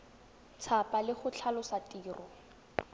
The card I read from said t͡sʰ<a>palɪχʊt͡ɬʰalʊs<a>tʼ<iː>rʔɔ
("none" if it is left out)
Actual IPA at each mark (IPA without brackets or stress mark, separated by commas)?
a, a, iː